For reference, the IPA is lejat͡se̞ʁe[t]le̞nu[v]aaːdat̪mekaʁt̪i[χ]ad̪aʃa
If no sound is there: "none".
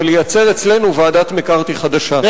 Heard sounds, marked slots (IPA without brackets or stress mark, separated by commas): t͡s, v, χ